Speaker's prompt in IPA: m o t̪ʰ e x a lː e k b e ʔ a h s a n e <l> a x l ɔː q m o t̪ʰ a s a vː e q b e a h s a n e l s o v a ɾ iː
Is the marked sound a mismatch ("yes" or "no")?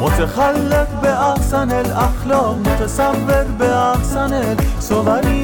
no